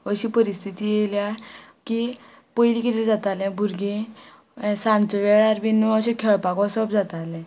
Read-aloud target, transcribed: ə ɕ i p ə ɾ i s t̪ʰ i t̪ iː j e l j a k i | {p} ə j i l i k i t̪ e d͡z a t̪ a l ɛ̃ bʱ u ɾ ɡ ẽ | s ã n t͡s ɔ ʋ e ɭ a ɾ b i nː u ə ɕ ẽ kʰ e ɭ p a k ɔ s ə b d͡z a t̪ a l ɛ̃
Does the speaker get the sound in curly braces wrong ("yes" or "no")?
no